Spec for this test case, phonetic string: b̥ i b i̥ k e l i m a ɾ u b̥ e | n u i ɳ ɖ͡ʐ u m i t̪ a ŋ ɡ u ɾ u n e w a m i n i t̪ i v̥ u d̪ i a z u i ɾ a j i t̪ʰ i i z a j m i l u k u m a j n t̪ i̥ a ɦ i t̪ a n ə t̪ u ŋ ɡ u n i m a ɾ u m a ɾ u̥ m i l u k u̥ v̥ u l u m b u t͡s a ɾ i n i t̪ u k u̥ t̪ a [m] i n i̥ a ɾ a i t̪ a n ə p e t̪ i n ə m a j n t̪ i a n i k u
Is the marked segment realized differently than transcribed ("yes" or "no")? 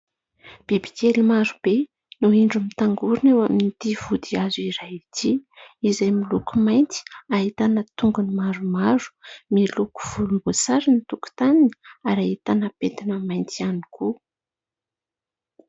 yes